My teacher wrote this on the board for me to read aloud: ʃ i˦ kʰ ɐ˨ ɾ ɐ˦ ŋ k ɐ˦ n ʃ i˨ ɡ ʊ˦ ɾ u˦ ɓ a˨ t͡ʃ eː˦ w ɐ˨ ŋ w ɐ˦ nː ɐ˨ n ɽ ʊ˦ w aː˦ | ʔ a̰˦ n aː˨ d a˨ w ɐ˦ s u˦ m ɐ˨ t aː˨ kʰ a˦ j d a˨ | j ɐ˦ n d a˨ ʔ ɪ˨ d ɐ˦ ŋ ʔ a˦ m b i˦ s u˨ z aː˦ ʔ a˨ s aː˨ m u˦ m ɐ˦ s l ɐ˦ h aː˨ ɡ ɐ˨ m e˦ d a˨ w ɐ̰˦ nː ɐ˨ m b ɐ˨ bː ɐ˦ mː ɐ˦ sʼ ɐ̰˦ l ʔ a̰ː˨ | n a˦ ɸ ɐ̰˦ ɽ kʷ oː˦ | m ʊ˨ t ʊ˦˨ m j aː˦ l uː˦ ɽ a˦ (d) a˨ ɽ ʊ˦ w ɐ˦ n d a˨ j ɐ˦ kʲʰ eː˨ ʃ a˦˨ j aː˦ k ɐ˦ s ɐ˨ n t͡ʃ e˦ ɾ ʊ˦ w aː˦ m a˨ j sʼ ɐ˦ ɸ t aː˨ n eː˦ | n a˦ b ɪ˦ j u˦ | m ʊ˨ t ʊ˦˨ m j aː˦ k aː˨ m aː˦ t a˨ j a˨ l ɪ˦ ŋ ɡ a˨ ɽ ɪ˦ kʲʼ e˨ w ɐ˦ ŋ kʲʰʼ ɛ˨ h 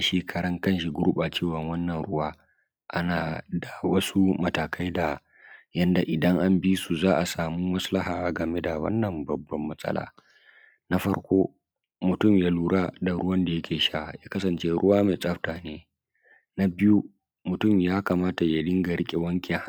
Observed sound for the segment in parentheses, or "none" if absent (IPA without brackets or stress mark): d